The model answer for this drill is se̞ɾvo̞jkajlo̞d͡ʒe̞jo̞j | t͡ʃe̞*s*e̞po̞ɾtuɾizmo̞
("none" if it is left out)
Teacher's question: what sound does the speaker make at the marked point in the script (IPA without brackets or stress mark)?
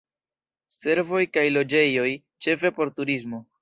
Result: f